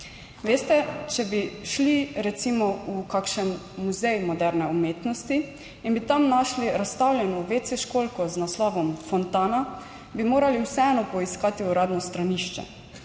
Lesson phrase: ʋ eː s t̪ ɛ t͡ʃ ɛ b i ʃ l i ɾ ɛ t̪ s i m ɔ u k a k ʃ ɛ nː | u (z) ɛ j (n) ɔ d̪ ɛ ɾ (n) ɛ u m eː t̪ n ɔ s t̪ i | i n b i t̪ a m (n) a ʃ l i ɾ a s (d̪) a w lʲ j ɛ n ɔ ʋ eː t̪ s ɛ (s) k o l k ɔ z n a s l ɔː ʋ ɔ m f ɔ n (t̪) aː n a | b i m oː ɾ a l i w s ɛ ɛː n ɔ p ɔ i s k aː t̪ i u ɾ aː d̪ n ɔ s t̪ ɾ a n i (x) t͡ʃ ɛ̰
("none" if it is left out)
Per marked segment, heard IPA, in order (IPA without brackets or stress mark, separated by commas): z, m, n, n, t̪, ʃ, t̪, ʃ